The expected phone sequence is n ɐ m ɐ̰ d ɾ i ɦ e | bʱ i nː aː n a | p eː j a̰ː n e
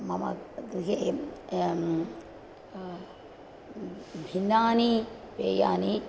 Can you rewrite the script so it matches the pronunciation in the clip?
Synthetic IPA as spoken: m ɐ m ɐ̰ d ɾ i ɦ e | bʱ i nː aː n i | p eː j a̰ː n i